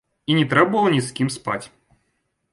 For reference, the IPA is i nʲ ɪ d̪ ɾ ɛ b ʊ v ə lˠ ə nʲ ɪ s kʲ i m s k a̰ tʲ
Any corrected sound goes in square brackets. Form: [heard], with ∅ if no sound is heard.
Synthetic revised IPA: i nʲ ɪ [t̪] ɾ ɛ b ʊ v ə lˠ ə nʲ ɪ s kʲ i m s [p] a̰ tʲ